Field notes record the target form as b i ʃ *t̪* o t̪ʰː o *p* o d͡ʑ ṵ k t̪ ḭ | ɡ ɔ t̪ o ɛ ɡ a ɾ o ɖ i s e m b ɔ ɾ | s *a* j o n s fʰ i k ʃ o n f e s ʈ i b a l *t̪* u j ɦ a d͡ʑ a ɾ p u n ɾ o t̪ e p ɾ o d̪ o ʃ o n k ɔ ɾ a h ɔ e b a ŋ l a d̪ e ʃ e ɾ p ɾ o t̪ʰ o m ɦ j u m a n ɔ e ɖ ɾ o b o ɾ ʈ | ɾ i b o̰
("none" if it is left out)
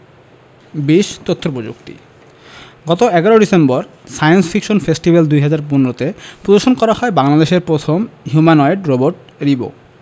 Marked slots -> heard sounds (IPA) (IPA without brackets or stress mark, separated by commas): t̪, p, a, d̪